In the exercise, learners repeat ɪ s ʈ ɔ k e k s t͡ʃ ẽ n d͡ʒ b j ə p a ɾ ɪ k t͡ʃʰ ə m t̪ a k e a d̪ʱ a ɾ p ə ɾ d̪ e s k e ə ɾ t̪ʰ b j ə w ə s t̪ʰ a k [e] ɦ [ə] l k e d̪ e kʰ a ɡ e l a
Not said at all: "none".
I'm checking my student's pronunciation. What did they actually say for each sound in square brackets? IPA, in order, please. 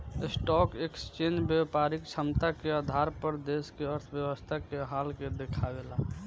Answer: e, a

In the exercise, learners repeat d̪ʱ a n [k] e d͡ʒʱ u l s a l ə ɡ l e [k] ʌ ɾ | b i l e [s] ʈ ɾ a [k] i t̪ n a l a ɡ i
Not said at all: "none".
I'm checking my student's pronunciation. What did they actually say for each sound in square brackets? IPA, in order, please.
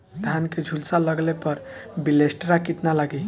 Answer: k, p, s, k

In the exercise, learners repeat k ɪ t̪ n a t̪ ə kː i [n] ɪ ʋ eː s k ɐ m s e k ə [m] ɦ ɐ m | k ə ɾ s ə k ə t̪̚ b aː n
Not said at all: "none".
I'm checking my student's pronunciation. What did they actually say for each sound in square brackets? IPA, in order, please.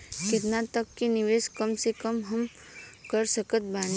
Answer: n, m

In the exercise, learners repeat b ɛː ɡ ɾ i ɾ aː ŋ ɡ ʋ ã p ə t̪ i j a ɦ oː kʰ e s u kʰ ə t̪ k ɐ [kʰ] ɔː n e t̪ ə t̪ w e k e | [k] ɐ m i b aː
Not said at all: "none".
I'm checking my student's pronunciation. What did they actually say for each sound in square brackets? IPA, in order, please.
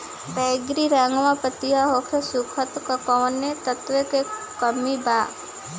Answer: k, k

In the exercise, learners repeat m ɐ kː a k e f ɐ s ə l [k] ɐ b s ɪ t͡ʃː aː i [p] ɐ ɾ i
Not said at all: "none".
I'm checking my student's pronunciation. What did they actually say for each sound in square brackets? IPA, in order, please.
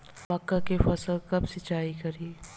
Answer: k, k

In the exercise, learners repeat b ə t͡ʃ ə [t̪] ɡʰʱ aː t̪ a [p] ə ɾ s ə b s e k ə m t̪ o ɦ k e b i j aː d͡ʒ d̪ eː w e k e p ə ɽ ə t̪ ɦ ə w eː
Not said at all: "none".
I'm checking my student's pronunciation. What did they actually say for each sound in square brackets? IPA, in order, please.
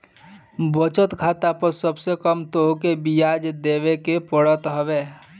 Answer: t̪, p

